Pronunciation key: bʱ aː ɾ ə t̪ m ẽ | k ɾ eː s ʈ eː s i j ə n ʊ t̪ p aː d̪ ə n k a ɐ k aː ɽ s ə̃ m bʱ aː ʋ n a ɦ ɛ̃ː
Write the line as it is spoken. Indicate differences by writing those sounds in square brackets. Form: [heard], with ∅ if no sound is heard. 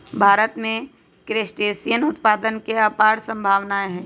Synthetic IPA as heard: bʱ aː ɾ ə t̪ m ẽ | k ɾ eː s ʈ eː s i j ə n ʊ t̪ p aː d̪ ə n k [e] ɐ [p] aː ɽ s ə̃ m bʱ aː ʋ n a ɦ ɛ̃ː